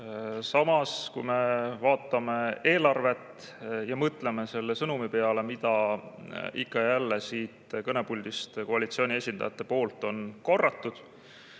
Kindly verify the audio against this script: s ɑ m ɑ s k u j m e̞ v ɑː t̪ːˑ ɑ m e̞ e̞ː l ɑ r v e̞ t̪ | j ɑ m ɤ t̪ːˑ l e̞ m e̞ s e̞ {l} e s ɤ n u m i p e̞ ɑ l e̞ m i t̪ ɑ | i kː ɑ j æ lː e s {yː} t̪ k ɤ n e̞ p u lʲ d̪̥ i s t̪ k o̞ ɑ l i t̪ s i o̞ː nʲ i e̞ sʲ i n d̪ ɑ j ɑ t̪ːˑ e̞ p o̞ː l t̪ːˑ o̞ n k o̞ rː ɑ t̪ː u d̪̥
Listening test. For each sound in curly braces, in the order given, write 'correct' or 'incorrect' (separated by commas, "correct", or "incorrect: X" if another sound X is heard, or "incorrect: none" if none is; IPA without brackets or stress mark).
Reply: incorrect: lː, incorrect: iː